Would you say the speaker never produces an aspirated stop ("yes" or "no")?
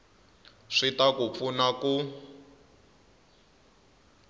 yes